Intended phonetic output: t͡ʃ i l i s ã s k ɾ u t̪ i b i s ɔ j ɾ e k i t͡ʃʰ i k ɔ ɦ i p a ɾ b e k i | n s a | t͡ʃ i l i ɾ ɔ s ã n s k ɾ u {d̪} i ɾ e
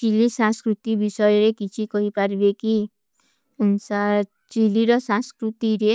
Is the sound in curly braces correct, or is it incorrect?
incorrect